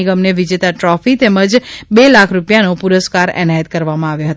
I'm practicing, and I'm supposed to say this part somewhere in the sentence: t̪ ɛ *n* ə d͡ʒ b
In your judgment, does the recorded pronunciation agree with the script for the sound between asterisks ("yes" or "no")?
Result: no